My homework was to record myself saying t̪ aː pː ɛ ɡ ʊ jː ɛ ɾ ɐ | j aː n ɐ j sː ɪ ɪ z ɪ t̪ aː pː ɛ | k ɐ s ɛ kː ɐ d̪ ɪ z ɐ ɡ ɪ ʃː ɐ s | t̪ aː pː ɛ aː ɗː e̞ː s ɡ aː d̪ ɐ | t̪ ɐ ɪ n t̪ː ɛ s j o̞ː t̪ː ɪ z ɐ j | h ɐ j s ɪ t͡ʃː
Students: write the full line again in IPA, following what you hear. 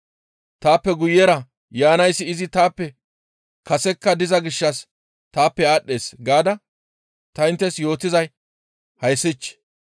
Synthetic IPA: t̪ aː pː ɛ ɡ ʊ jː ɛ ɾ ɐ | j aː n ɐ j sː ɪ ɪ z ɪ t̪ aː pː ɛ | k ɐ s ɛ kː ɐ d̪ ɪ z ɐ ɡ ɪ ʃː ɐ s | t̪ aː pː ɛ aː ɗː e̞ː s ɡ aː d̪ ɐ | t̪ ɐ ɪ n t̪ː ɛ s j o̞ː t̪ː ɪ z ɐ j | h ɐ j s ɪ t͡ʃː

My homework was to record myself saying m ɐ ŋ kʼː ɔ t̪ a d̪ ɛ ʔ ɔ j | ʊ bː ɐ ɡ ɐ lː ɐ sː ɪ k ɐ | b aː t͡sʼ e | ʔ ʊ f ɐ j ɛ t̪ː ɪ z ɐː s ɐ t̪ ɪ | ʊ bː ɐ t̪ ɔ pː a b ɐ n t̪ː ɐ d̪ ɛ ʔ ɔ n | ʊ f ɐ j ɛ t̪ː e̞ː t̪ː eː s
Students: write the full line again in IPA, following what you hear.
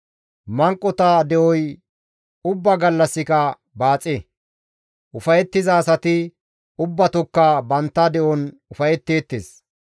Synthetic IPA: m ɐ ŋ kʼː ɔ t̪ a d̪ ɛ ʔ ɔ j | ʊ bː ɐ ɡ ɐ lː ɐ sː ɪ k ɐ | b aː t͡sʼ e | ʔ ʊ f ɐ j ɛ t̪ː ɪ z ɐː s ɐ t̪ ɪ | ʊ bː ɐ t̪ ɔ kː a b ɐ n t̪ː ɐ d̪ ɛ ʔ ɔ n | ʊ f ɐ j ɛ t̪ː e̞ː t̪ː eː s

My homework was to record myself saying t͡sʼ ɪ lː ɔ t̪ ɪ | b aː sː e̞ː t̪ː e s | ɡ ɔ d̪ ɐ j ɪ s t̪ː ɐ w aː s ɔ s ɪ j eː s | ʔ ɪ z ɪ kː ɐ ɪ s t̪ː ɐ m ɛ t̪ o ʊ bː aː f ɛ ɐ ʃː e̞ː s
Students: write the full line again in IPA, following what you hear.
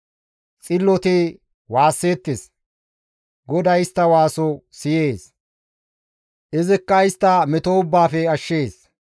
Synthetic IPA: t͡sʼ ɪ lː ɔ t̪ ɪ | w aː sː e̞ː t̪ː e s | ɡ ɔ d̪ ɐ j ɪ s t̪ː ɐ w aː s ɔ s ɪ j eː s | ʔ ɪ z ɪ kː ɐ ɪ s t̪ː ɐ m ɛ t̪ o ʊ bː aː f ɛ ɐ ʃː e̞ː s

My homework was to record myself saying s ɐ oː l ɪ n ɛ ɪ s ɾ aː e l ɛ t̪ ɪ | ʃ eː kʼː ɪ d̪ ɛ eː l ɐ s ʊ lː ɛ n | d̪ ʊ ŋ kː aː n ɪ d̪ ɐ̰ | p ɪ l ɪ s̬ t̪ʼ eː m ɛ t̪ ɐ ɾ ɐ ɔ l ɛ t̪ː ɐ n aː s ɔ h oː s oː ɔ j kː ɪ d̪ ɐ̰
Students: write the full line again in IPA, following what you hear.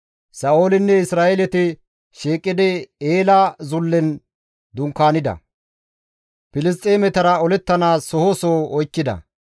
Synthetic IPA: s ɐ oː l ɪ nː ɛ ɪ s ɾ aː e l ɛ t̪ ɪ | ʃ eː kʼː ɪ d̪ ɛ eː l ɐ z ʊ lː ɛ n | d̪ ʊ ŋ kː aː n ɪ d̪ ɐ̰ | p ɪ l ɪ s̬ t̪ʼ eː m ɛ t̪ ɐ ɾ ɐ ɔ l ɛ t̪ː ɐ n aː s ɔ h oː s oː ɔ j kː ɪ d̪ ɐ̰

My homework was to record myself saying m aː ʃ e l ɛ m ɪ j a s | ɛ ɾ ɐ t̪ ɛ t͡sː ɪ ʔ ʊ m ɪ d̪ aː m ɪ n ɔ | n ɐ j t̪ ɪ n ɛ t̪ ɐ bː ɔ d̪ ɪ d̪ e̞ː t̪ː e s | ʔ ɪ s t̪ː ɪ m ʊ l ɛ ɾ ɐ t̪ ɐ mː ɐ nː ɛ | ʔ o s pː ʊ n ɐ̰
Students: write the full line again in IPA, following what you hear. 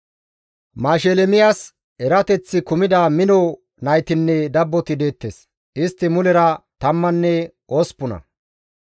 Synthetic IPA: m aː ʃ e l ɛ m ɪ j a s | ɛ ɾ ɐ t̪ ɛ t͡sː ɪ k ʊ m ɪ d̪ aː m ɪ n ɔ | n ɐ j t̪ ɪ nː ɛ d̪ ɐ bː ɔ t̪ ɪ d̪ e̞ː t̪ː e s | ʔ ɪ s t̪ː ɪ m ʊ l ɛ ɾ ɐ t̪ ɐ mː ɐ nː ɛ | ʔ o s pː ʊ n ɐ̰

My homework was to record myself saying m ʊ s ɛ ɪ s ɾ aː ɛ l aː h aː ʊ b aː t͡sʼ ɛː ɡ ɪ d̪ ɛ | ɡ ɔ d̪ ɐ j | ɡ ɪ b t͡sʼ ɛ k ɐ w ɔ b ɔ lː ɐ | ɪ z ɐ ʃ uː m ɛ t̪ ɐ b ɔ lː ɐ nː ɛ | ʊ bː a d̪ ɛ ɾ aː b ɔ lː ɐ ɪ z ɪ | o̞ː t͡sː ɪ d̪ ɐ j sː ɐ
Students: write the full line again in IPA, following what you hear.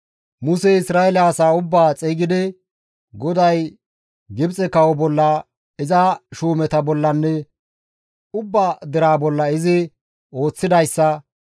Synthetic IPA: m ʊ s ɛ ɪ s ɾ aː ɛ l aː s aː ʊ bː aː t͡sʼ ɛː ɡ ɪ d̪ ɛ | ɡ ɔ d̪ ɐ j | ɡ ɪ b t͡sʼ ɛ k ɐ w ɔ b ɔ lː ɐ | ɪ z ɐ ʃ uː m ɛ t̪ ɐ b ɔ lː ɐ nː ɛ | ʊ bː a d̪ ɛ ɾ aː b ɔ lː ɐ ɪ z ɪ | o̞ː t͡sː ɪ d̪ ɐ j sː ɐ

